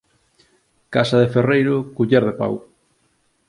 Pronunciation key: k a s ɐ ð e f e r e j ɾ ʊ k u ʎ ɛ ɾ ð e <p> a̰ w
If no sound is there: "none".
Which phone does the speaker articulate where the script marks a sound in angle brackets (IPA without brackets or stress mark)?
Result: p